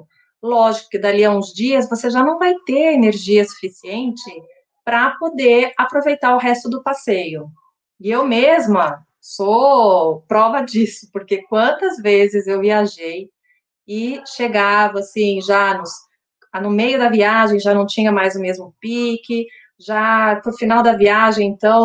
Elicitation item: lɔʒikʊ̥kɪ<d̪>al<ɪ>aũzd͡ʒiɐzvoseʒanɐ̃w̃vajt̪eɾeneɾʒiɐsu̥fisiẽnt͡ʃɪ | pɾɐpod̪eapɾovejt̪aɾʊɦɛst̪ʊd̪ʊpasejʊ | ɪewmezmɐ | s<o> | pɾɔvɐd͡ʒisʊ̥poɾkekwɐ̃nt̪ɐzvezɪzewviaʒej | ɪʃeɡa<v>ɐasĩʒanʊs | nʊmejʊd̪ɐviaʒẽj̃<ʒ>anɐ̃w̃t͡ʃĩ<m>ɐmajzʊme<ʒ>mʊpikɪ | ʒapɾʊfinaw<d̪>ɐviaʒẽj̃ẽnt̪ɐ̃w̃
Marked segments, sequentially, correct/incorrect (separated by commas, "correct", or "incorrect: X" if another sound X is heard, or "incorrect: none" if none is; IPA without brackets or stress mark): correct, incorrect: i, correct, correct, correct, incorrect: ɲ, incorrect: z, correct